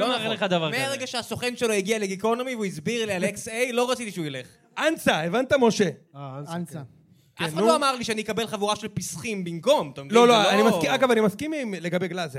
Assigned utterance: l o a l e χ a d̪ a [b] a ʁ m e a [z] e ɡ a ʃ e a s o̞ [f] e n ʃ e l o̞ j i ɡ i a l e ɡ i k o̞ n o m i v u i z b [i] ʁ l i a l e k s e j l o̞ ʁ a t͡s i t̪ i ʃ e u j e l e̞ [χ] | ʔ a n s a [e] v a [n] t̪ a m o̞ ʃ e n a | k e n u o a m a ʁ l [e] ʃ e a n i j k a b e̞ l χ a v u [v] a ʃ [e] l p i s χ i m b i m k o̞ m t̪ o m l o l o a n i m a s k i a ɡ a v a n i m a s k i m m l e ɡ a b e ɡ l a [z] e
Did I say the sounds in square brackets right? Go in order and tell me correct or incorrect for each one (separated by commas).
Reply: incorrect, incorrect, incorrect, correct, correct, correct, correct, incorrect, incorrect, correct, correct